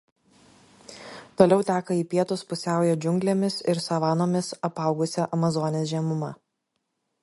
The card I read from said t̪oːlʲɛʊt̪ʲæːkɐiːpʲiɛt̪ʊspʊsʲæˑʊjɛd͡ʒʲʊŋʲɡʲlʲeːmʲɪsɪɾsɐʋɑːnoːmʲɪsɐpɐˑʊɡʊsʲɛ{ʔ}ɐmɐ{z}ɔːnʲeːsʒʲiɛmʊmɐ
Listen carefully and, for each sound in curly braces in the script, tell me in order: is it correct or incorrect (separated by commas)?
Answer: correct, correct